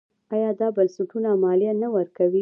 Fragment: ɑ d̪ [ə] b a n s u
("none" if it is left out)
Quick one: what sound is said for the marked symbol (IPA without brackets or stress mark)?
ɑ